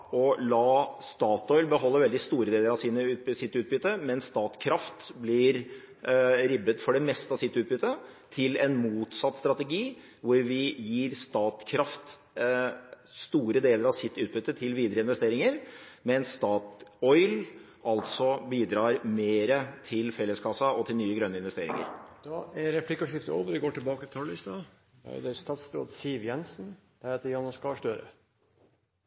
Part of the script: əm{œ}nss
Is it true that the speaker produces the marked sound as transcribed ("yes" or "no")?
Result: no